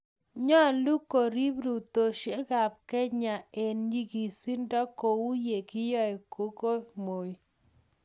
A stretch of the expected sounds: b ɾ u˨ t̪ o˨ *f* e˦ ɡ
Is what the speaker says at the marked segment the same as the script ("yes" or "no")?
no